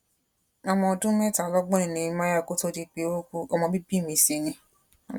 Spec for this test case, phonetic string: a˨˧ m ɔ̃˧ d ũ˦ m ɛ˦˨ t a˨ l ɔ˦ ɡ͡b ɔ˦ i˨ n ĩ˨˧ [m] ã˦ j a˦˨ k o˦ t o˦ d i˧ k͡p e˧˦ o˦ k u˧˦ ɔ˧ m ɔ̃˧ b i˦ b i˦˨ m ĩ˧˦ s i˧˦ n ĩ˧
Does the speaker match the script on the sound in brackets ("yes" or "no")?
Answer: yes